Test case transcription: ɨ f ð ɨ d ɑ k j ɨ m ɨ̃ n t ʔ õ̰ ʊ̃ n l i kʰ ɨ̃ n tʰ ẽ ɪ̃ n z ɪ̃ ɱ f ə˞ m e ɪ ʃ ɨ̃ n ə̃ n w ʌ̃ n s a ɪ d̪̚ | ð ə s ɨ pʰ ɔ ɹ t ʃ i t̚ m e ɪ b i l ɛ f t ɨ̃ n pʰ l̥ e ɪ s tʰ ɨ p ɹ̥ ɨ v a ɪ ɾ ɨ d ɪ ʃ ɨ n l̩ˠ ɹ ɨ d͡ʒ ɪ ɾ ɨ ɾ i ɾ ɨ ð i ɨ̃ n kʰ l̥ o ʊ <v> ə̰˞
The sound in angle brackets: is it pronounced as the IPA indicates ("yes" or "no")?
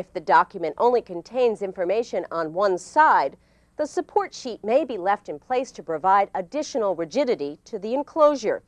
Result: no